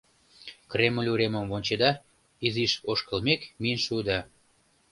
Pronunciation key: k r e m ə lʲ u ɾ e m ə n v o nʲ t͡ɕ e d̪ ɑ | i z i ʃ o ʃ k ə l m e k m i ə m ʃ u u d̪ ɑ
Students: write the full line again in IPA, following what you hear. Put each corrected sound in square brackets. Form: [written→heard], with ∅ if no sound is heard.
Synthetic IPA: k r e m ə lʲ u ɾ e m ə [n→m] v o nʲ t͡ɕ e d̪ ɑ | i z i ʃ o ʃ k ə l m e k m i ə [m→n] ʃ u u d̪ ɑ